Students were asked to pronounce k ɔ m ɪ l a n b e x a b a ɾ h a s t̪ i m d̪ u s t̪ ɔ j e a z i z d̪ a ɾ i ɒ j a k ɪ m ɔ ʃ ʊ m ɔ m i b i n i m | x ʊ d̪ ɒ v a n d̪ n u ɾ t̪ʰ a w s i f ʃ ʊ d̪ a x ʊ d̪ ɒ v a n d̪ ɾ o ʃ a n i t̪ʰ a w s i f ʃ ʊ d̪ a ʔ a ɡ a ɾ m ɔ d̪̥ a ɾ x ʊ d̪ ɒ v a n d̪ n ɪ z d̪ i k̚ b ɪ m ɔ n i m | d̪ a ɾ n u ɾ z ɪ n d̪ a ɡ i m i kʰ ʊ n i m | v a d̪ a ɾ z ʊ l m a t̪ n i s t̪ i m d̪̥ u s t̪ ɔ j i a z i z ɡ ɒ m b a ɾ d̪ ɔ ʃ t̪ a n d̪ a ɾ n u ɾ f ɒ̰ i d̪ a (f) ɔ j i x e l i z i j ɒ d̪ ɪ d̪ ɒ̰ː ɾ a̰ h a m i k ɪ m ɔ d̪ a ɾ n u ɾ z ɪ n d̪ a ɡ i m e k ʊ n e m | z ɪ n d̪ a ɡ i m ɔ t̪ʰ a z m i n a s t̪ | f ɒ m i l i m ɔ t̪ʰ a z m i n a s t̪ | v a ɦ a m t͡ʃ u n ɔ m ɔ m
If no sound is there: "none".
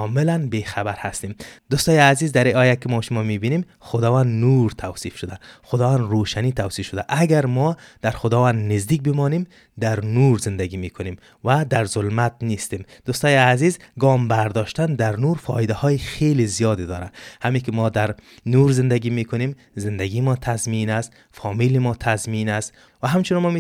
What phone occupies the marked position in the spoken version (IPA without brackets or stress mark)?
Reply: h